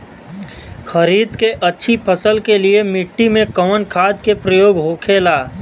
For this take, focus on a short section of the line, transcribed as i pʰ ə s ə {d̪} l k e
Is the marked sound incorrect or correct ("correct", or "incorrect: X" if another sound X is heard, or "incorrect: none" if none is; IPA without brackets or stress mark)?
incorrect: none